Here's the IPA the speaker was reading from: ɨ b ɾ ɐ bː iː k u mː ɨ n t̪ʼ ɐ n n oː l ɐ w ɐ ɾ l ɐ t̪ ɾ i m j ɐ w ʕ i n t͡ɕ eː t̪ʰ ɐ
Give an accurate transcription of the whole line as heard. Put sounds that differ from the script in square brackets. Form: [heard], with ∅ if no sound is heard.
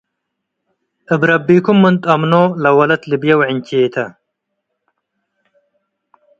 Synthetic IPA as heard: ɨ b ɾ ɐ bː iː k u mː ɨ n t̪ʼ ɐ [m] n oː l ɐ w ɐ [∅] l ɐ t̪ [l] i [b] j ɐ w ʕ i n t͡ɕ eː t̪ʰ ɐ